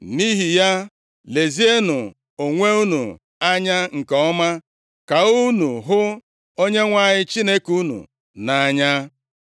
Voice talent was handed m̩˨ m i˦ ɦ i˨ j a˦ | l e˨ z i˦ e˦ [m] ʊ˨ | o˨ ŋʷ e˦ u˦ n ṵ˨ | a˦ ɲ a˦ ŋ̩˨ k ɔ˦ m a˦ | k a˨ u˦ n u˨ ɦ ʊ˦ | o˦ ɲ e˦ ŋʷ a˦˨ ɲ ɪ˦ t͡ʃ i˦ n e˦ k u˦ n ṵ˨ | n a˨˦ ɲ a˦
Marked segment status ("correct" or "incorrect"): incorrect